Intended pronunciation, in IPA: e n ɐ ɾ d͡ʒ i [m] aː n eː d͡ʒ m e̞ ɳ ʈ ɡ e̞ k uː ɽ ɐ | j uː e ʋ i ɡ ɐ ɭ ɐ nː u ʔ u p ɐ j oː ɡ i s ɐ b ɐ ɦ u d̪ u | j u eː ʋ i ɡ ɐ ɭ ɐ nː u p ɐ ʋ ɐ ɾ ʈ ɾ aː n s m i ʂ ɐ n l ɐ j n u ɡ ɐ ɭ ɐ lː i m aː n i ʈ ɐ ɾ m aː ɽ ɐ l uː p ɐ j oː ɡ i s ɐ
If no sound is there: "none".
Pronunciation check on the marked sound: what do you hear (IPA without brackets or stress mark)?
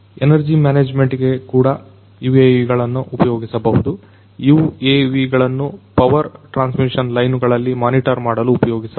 m